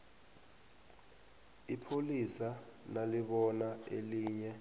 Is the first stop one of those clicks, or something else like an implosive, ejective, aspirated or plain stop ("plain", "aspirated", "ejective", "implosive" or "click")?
aspirated